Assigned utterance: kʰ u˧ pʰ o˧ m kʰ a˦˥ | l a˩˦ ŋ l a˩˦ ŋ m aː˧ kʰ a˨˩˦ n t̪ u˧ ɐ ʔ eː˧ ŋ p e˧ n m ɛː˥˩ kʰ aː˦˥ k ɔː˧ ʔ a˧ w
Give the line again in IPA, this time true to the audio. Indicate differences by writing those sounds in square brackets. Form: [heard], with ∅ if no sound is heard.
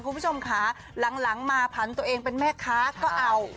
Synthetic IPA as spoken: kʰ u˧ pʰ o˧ m kʰ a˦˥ | l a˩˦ ŋ l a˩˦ ŋ m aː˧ [pʰ] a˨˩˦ n t̪ u˧ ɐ ʔ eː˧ ŋ p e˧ n m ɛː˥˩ kʰ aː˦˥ k [ɔː˥˩] ʔ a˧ w